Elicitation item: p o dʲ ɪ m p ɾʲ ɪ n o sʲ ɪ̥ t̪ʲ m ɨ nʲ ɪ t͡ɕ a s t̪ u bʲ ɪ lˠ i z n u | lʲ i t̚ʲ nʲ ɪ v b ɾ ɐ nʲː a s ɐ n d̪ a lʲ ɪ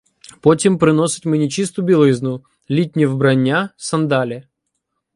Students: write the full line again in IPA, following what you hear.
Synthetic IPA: p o tʲ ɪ m p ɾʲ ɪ n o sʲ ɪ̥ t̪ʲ m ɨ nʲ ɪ t͡ɕ i s t̪ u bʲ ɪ lˠ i z n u | lʲ i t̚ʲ nʲ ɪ v b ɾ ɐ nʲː a s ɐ n d̪ a lʲ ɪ